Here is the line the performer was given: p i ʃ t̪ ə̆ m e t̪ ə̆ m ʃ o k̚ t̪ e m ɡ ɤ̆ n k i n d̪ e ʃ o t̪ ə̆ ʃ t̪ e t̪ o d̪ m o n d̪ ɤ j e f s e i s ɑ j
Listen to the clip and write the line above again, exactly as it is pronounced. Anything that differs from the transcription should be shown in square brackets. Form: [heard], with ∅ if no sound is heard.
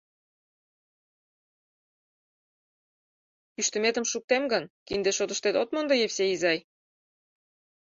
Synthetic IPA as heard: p [y] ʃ t̪ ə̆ m e t̪ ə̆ m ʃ [u] k̚ t̪ e m ɡ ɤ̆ n k i n d̪ e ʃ o t̪ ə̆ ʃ t̪ e t̪ o [t̪] m o n d̪ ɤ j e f s e i [z] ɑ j

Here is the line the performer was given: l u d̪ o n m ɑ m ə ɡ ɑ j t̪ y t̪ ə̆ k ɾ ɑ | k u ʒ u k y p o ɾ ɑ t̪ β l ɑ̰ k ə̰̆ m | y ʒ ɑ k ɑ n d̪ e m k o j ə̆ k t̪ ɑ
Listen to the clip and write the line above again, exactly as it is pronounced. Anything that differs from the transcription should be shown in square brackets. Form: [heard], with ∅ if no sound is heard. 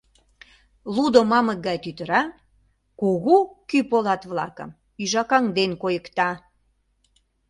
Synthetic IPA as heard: l u d̪ o [∅] m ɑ m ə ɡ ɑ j t̪ y t̪ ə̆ [∅] ɾ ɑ | k u [ɣ] u k y p o [l] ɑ t̪ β l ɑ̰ k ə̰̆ m | y ʒ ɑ k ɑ [ŋ] d̪ e [n] k o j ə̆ k t̪ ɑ

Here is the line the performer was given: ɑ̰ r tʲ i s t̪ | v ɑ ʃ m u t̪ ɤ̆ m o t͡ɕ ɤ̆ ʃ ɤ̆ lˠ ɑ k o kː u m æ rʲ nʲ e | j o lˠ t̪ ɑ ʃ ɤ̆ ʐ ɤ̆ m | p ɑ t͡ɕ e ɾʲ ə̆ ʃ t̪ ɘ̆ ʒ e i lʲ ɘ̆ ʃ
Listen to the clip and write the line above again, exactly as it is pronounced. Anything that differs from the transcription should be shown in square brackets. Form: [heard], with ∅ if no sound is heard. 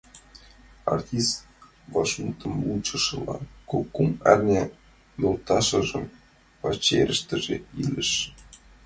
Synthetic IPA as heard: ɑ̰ r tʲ i s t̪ | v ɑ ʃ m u t̪ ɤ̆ m [u] t͡ɕ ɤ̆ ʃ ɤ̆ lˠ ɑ k o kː u m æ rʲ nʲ e | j o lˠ t̪ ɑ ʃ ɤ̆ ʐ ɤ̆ m | p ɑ t͡ɕ e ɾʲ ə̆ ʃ t̪ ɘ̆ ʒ e i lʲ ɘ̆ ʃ

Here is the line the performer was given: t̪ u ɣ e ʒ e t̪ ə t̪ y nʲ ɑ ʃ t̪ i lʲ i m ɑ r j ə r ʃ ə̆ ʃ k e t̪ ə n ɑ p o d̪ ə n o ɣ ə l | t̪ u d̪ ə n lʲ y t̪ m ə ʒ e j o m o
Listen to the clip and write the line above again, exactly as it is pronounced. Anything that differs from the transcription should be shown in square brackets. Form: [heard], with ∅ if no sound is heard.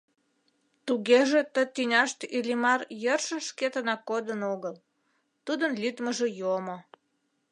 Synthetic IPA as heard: t̪ u ɣ e ʒ e t̪ ə t̪ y nʲ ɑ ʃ t̪ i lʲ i m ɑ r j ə r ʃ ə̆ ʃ k e t̪ ə n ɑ [k] o d̪ ə n o ɣ ə l | t̪ u d̪ ə n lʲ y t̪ m ə ʒ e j o m o

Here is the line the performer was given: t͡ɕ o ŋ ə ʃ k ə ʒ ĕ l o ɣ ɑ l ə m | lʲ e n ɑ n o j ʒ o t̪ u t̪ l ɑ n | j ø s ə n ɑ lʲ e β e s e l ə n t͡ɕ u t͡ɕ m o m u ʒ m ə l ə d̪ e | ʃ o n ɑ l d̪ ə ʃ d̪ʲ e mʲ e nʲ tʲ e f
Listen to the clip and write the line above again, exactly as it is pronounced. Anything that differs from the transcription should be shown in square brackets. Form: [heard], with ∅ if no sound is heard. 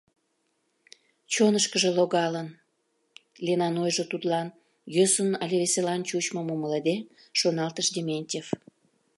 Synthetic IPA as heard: t͡ɕ o [n] ə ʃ k ə ʒ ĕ l o ɣ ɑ l ə [n] | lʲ e n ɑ n o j ʒ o t̪ u t̪ l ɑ n | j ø s ə n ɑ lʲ e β e s e l [ɑ] n t͡ɕ u t͡ɕ m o m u [∅] m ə l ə d̪ e | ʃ o n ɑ l [t̪] ə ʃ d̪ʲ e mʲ e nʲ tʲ e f

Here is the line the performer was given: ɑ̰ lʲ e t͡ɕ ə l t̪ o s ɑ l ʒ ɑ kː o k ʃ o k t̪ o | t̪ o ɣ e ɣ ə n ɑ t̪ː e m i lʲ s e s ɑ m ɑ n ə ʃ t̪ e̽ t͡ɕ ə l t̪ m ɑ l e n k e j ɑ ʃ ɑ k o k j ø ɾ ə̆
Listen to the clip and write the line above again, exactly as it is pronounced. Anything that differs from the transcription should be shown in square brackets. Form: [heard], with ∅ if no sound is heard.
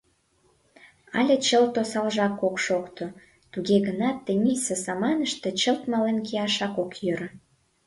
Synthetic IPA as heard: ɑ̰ lʲ e t͡ɕ ə l t̪ o s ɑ l ʒ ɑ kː o k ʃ o k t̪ o | t̪ [u] ɣ e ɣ ə n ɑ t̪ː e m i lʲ s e s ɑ m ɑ n ə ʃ t̪ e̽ t͡ɕ ə l t̪ m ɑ l e n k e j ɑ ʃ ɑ k o k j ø ɾ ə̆

